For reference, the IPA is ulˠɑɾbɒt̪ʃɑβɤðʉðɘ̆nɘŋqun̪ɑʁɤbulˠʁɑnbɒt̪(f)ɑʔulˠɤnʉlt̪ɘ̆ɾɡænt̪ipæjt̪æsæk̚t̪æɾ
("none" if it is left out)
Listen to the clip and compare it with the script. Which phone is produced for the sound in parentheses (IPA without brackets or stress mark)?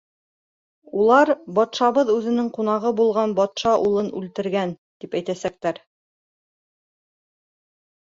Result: ʃ